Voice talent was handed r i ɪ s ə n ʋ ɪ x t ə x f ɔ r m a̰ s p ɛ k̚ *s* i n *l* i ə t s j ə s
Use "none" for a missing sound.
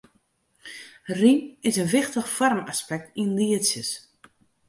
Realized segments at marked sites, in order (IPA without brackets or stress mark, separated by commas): t, l